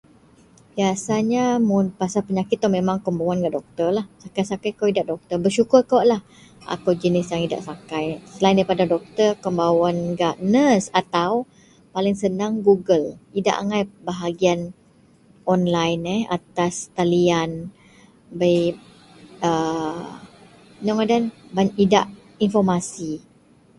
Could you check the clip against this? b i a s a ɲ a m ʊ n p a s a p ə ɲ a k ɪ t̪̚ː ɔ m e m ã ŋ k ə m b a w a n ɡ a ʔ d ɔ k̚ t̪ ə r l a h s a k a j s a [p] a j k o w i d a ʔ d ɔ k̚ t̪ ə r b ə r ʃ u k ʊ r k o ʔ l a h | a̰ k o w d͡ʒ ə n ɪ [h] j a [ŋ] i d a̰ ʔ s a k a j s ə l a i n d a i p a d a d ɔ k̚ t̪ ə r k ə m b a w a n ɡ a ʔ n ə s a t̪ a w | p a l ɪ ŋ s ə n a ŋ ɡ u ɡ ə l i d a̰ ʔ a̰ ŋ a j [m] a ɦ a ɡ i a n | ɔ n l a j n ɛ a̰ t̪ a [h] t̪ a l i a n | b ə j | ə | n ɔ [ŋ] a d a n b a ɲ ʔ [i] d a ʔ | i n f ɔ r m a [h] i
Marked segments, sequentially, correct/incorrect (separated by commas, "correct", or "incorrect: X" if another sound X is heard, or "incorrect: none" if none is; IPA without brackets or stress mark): incorrect: k, incorrect: s, correct, incorrect: b, incorrect: s, correct, correct, incorrect: s